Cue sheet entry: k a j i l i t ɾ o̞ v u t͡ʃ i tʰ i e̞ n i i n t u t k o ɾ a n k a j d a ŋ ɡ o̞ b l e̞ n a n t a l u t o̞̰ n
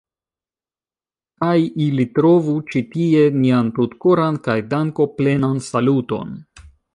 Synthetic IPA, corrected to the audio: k a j i l i t ɾ o̞ v u t͡ʃ i t i e̞ n i a n t u t k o ɾ a n k a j d a ŋ k o̞ p l e̞ n a n s a l u t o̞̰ n